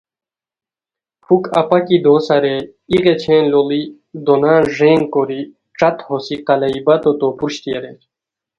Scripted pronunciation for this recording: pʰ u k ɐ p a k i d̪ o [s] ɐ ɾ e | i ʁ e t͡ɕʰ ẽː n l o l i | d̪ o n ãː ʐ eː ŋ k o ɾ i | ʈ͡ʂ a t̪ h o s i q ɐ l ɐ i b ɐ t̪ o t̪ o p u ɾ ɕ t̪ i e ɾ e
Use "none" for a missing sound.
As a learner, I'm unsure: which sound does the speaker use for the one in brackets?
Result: s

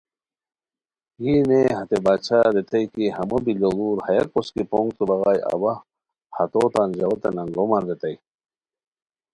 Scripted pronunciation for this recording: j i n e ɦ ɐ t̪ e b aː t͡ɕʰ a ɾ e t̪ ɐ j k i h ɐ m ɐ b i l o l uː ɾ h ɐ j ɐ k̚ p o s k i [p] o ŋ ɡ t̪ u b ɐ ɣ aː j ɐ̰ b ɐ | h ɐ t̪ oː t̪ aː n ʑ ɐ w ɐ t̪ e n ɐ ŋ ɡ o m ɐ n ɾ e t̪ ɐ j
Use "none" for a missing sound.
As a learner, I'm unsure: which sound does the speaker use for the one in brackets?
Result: p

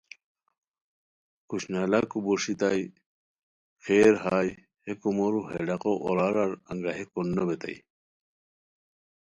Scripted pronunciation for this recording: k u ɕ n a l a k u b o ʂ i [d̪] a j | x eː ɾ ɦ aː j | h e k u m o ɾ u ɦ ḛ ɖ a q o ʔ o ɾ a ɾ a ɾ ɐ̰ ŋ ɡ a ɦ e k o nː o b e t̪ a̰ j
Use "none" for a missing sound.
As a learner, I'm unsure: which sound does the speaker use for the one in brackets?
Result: t̪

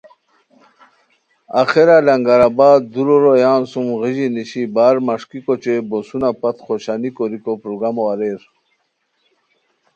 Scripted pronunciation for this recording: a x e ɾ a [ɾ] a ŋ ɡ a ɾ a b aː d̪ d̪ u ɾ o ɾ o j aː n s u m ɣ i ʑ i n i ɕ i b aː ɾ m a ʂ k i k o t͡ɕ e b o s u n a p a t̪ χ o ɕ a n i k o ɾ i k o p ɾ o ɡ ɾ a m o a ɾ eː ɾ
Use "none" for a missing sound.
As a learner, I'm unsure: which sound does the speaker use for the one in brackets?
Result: l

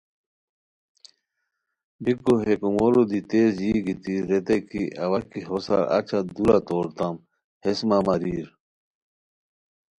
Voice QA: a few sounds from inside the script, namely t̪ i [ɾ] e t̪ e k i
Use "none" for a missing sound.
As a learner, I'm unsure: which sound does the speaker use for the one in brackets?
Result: ɾ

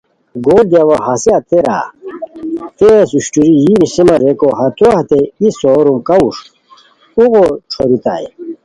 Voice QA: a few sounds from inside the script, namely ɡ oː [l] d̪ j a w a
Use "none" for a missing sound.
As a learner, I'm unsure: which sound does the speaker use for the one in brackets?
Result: l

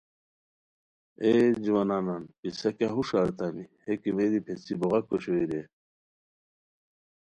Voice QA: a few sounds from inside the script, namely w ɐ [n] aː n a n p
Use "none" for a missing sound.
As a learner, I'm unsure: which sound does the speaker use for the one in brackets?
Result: n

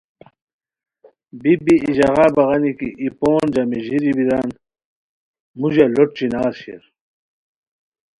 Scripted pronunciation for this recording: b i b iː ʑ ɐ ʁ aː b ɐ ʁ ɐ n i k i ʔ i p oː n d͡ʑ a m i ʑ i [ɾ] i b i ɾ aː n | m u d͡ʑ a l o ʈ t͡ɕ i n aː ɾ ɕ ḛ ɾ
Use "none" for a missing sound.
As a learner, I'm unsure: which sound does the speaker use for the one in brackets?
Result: ɾ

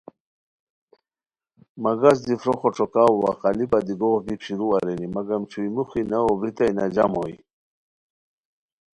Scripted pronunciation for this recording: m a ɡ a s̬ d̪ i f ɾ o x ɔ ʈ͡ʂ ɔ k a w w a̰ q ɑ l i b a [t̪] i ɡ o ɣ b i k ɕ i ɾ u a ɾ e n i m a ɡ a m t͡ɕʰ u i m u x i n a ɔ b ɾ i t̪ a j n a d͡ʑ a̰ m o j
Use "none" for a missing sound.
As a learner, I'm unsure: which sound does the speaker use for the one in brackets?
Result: d̪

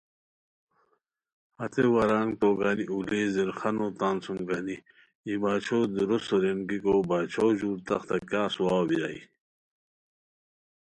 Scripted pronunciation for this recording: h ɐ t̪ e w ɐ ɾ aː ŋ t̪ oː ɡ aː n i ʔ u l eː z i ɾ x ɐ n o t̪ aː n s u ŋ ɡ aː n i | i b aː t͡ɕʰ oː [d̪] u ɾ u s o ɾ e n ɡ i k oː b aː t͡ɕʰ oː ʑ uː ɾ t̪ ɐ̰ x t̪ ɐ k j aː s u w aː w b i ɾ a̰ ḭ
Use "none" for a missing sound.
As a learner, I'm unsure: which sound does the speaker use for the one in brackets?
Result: d̪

